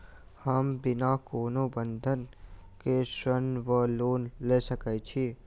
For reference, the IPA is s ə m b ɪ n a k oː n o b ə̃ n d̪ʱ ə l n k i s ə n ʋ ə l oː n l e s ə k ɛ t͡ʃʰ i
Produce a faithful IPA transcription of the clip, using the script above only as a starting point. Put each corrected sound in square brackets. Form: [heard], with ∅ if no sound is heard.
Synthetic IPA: [h] ə m b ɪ n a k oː n o b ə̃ n d̪ʱ ə [∅] n k [e] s ə n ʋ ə l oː n l e s ə k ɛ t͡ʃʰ i